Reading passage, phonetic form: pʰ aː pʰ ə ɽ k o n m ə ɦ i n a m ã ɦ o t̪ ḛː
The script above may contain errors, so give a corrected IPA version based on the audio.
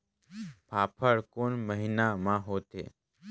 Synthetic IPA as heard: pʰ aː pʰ ə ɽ k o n m ə ɦ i n a m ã ɦ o t̪ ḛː